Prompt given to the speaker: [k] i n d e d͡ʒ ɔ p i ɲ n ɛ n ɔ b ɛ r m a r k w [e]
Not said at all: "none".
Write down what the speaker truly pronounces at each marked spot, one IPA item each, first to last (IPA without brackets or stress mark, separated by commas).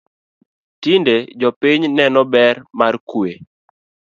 t, e